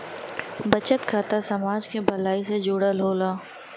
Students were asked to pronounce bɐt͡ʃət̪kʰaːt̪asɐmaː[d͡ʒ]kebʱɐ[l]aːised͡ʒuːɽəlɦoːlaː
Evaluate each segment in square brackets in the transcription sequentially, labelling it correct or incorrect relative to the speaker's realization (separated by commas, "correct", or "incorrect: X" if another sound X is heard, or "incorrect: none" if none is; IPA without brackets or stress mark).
correct, correct